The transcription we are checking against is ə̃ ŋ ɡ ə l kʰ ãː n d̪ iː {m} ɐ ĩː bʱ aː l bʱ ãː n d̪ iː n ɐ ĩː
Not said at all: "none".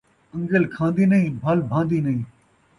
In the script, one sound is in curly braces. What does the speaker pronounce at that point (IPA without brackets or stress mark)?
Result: n